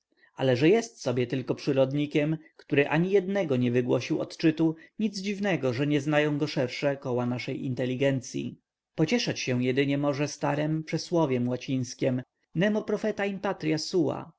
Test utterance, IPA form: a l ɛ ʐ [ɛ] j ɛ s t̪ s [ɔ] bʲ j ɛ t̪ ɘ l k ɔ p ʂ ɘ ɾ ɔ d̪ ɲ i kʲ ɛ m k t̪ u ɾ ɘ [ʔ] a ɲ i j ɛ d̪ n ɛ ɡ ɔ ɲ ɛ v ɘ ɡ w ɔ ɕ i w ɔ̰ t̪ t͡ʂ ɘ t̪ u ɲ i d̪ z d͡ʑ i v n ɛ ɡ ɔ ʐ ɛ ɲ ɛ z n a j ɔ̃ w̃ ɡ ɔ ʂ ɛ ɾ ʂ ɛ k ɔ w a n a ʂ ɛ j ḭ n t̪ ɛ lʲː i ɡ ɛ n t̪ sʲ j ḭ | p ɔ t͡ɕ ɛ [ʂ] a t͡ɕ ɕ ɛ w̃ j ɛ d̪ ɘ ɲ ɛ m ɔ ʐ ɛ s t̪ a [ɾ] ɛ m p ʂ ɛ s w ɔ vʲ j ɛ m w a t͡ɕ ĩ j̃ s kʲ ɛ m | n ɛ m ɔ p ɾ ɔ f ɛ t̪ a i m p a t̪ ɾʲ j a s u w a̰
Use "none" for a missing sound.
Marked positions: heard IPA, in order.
ɛ, ɔ, ʔ, ʂ, ɾ

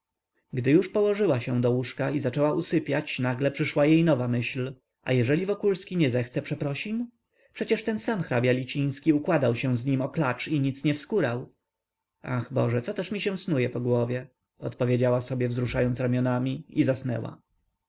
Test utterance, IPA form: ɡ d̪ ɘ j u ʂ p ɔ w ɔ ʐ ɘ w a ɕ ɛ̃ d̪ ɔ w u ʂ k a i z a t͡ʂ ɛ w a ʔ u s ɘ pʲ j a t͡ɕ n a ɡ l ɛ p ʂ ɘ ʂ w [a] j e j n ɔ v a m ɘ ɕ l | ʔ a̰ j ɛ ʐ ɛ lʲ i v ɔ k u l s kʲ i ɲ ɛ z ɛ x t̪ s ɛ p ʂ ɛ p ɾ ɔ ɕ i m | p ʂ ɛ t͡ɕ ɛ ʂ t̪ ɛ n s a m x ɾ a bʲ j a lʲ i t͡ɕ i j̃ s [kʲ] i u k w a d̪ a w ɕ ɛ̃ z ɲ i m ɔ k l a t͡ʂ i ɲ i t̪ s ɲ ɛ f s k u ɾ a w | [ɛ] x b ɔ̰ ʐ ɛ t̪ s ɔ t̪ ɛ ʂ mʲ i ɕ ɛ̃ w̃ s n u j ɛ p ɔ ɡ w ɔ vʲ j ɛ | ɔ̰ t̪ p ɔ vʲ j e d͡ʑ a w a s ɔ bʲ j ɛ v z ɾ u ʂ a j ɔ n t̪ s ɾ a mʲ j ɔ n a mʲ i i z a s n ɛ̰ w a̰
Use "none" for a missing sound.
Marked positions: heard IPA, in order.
a, kʲ, a

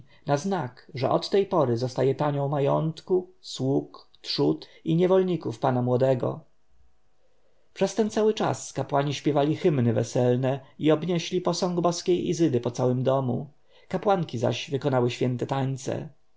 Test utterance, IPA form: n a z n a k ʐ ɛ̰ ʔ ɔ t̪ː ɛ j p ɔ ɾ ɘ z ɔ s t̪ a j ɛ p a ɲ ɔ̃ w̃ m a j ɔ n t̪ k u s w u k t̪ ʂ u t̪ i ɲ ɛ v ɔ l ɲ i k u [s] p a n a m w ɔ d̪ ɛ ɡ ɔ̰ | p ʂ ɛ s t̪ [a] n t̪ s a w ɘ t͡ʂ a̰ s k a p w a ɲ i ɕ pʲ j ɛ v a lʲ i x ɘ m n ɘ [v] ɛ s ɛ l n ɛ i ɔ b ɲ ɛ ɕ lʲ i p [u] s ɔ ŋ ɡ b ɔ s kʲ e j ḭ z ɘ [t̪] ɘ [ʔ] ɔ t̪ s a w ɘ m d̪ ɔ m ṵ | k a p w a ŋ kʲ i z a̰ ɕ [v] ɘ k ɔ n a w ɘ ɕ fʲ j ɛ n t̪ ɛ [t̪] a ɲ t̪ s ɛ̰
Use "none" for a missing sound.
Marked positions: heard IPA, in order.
f, ɛ, v, ɔ, d̪, p, v, t̪

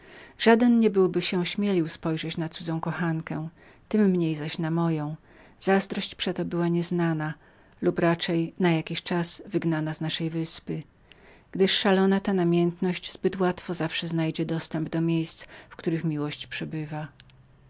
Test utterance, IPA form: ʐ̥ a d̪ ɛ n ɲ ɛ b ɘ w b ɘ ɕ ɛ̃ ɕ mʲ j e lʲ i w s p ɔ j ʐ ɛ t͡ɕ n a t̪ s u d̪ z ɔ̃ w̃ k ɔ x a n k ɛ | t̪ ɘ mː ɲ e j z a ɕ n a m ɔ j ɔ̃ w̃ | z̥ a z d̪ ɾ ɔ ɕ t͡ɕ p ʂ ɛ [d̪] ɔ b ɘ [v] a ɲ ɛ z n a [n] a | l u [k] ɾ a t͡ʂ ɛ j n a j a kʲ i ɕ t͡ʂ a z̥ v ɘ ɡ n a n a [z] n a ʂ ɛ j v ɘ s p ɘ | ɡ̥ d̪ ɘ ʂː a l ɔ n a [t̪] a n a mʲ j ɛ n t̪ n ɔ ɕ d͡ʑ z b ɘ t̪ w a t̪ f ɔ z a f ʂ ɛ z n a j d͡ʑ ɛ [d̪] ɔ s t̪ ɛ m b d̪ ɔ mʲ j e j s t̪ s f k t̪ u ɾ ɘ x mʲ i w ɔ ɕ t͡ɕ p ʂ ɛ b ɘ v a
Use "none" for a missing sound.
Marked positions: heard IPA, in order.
t̪, w, n, p, z, t̪, d̪

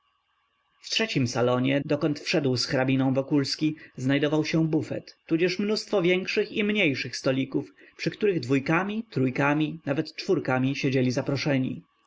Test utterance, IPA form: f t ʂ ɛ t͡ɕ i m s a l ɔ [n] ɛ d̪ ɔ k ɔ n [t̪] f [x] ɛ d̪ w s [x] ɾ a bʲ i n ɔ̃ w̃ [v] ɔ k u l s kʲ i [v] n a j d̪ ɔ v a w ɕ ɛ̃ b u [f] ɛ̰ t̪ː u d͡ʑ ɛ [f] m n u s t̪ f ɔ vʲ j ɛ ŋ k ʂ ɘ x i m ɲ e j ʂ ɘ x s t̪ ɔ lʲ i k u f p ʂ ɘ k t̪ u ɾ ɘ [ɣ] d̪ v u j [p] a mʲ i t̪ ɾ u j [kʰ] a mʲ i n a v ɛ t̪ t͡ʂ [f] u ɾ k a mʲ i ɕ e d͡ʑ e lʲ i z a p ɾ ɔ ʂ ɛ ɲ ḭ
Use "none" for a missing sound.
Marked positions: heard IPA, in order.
ɲ, t̪, ʂ, x, v, z, f, ʂ, ɣ, k, k, f

